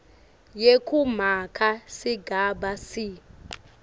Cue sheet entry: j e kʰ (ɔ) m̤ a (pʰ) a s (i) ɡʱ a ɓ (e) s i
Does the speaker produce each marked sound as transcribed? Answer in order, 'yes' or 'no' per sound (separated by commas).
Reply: no, no, yes, no